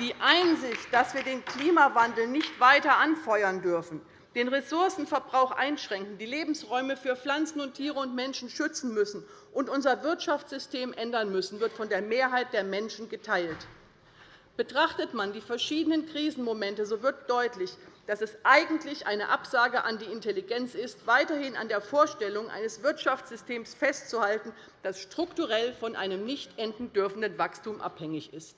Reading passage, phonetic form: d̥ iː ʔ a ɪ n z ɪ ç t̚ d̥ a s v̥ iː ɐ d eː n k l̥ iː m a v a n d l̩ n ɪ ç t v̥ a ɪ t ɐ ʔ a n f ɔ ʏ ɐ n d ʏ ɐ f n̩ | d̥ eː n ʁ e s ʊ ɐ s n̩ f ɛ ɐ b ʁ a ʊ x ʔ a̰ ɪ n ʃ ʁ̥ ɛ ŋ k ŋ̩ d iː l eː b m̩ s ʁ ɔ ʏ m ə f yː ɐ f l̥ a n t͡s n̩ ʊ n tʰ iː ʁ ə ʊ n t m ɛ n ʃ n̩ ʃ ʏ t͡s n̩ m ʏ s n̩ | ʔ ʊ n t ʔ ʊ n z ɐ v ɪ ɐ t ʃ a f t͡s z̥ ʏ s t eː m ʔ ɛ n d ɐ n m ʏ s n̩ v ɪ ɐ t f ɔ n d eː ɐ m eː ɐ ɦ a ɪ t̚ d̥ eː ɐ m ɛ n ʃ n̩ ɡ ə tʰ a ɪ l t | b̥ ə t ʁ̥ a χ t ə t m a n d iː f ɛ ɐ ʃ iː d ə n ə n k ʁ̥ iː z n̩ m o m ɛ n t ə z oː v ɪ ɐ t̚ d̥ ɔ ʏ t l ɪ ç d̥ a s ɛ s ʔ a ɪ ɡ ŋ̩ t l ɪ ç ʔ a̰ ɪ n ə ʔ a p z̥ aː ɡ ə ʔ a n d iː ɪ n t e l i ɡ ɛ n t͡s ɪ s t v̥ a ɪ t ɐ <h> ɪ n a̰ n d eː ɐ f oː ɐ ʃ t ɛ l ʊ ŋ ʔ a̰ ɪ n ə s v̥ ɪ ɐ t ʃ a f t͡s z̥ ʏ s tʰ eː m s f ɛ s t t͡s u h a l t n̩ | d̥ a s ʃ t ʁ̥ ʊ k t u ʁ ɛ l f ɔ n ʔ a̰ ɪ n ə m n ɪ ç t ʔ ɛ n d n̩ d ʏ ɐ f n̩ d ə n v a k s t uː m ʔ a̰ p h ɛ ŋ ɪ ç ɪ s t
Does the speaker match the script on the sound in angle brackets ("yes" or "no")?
yes